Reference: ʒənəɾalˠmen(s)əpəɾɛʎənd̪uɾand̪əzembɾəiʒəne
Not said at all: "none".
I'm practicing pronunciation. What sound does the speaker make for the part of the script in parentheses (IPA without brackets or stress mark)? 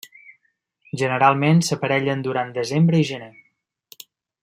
s